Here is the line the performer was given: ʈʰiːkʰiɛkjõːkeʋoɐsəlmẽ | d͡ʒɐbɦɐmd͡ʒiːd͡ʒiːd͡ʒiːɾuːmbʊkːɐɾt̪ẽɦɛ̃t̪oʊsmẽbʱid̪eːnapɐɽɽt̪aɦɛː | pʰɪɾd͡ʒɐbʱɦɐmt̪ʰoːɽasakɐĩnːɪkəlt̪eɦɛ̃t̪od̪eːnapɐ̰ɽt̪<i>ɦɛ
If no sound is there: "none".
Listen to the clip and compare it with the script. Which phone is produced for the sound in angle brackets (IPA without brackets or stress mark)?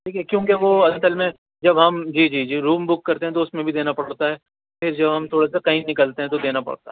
a